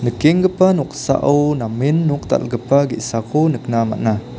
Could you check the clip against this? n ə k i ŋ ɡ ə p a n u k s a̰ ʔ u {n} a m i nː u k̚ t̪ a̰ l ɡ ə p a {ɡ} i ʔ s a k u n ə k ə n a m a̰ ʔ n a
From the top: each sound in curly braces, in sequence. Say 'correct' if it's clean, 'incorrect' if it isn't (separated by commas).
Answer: correct, correct